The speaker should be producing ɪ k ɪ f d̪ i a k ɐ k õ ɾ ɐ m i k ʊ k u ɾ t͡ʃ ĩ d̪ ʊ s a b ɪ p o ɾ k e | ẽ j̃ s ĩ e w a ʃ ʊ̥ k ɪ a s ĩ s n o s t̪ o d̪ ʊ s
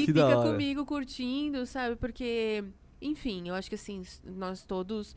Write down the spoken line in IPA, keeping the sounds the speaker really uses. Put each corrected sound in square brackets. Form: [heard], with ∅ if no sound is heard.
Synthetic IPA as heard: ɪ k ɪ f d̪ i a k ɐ k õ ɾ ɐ m i [ɡ] ʊ k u ɾ t͡ʃ ĩ d̪ ʊ s a b ɪ p o ɾ k e | ẽ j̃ [f] ĩ e w a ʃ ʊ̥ k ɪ a s ĩ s n [ɔ] s t̪ o d̪ ʊ s